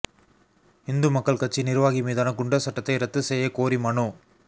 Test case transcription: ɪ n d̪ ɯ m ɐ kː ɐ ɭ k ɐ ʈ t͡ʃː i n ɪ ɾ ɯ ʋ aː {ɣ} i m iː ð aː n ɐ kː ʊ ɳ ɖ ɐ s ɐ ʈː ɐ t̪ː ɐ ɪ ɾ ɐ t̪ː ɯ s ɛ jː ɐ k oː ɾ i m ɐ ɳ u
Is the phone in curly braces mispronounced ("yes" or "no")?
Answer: no